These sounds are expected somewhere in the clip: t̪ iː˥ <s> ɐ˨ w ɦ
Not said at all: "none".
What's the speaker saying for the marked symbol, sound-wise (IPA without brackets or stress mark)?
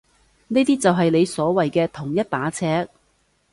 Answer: t͡s